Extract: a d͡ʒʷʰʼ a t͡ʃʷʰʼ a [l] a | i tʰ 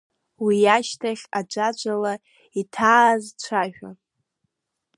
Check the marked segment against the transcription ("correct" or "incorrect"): correct